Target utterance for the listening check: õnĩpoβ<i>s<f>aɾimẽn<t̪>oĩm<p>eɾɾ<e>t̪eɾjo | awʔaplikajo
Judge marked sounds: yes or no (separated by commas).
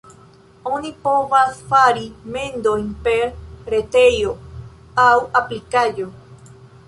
no, yes, no, yes, yes